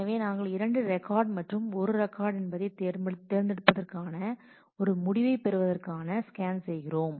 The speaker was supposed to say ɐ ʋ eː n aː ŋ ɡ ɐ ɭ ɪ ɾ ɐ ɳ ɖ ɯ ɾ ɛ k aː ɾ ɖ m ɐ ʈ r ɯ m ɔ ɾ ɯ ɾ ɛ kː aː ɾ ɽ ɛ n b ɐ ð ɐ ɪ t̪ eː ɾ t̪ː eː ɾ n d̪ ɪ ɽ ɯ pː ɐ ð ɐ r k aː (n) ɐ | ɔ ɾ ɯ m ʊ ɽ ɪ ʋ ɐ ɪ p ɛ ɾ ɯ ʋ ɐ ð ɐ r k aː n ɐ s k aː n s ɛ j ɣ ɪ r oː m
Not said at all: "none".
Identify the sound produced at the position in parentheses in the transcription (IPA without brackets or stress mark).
n